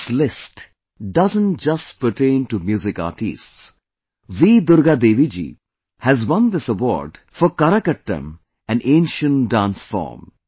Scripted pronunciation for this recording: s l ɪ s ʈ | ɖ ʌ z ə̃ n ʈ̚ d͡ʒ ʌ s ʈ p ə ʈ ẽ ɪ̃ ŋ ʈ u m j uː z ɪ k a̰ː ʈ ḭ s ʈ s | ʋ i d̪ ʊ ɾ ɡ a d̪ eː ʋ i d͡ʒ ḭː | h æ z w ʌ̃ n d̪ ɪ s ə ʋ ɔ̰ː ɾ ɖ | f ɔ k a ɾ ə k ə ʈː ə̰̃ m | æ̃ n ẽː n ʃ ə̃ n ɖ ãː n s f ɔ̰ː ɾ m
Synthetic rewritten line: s l ɪ s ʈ | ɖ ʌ z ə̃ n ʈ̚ d͡ʒ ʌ s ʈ p ə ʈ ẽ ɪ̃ n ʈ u m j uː z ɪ k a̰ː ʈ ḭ s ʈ s | ʋ i d̪ ʊ ɾ ɡ a d̪ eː ʋ i d͡ʒ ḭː | h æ z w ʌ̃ n d̪ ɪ s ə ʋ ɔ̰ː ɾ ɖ | f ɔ k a ɾ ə k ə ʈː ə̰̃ m | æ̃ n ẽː n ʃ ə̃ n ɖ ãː n s f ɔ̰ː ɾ m